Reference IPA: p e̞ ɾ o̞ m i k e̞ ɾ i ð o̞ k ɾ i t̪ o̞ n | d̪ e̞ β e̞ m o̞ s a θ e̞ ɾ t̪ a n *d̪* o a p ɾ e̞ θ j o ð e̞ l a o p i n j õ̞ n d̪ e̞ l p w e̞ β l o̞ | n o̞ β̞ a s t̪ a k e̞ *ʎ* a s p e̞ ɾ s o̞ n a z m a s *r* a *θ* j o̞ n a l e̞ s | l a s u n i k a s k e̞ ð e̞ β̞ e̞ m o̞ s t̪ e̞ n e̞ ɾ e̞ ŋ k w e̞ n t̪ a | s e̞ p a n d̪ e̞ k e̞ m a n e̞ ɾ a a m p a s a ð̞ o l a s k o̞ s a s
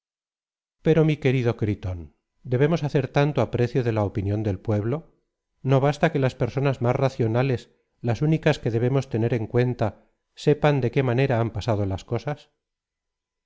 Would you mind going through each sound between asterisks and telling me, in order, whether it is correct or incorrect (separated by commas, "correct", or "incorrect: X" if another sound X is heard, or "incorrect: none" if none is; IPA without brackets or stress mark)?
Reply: incorrect: t̪, incorrect: l, correct, correct